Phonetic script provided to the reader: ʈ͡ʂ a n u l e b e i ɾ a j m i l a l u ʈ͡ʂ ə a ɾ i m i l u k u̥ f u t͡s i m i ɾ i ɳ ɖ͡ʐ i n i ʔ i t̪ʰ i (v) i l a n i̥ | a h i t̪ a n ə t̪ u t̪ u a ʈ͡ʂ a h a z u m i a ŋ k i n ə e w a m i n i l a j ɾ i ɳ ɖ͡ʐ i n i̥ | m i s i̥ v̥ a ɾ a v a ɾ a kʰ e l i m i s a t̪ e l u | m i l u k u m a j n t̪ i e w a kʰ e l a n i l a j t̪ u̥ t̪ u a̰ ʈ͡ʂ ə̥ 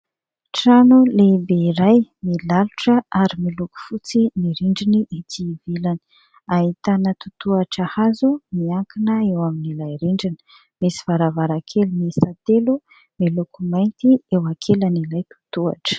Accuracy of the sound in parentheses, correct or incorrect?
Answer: correct